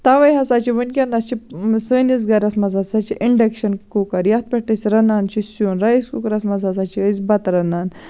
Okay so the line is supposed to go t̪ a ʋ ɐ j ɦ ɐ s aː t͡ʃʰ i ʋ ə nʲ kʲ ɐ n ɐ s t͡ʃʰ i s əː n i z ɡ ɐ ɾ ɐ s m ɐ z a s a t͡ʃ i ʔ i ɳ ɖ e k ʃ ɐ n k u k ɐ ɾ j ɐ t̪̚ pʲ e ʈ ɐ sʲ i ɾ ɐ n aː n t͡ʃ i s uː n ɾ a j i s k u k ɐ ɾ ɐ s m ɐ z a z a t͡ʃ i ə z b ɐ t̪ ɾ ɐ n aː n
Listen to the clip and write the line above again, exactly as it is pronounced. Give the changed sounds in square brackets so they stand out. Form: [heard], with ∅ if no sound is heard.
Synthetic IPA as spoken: t̪ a ʋ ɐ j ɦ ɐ s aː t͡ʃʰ i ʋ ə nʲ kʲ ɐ n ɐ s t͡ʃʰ i s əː n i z ɡ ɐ ɾ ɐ s m ɐ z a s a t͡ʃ i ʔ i ɳ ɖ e k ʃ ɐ n k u k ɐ ɾ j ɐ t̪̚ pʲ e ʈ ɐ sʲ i ɾ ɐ n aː n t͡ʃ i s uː n ɾ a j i s k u k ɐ ɾ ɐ s m ɐ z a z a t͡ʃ i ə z b ɐ t̪ ɾ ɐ n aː n